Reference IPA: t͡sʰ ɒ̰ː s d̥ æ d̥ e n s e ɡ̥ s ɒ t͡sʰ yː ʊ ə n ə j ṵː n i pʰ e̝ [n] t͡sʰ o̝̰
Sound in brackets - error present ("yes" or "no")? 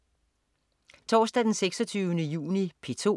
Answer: yes